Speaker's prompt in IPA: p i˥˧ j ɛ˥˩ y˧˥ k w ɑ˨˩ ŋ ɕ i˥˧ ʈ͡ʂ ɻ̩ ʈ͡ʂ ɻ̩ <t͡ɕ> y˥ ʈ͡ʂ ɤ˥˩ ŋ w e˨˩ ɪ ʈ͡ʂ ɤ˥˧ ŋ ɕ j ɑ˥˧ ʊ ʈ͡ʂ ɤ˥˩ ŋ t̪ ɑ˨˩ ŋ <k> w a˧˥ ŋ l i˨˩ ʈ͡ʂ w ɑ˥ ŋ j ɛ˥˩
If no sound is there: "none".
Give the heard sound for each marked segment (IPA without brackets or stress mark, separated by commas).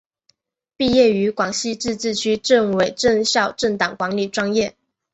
t͡ɕʰ, k